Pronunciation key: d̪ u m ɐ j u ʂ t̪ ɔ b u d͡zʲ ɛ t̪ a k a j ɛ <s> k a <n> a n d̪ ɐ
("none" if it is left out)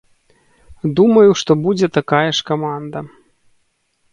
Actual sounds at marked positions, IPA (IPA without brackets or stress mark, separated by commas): ʂ, m